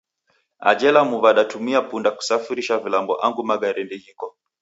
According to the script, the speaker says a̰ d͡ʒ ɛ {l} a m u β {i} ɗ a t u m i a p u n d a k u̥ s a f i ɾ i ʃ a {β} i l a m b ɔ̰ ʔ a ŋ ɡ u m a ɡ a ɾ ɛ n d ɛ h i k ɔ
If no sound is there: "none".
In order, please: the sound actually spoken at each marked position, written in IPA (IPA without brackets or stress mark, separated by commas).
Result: l, a, v